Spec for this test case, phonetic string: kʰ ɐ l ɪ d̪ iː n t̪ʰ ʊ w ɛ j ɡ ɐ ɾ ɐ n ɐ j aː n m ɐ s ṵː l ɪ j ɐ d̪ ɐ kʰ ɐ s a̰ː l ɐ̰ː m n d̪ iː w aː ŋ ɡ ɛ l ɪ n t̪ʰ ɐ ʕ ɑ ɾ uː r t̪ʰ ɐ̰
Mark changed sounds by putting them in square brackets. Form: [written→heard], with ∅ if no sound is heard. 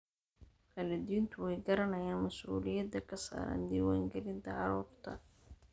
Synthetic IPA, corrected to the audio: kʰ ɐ l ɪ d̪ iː n t̪ʰ ʊ w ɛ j ɡ ɐ ɾ ɐ n ɐ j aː n m ɐ s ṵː l ɪ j ɐ d̪ ɐ kʰ ɐ s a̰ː [l→ɾ] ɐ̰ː [m→∅] n d̪ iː w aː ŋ ɡ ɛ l ɪ n t̪ʰ ɐ ʕ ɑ ɾ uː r t̪ʰ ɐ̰